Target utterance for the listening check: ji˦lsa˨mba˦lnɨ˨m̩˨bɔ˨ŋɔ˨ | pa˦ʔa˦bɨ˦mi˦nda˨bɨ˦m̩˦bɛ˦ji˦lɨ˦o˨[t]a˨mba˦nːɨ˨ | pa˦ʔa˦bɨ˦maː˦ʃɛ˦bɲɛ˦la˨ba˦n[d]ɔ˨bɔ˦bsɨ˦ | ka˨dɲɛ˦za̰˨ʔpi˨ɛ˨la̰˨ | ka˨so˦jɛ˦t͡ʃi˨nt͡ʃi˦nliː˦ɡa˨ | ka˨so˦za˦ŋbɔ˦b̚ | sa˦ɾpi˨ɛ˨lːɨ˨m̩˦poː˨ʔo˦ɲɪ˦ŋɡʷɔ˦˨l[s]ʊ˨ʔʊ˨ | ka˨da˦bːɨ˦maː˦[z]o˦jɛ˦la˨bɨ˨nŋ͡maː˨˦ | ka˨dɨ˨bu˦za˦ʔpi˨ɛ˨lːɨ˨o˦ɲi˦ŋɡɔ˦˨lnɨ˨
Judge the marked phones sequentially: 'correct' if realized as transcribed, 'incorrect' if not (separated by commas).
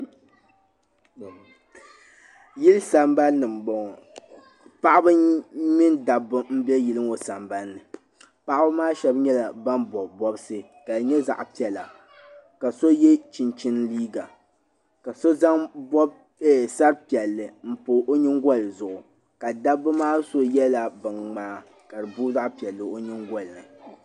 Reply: incorrect, incorrect, incorrect, incorrect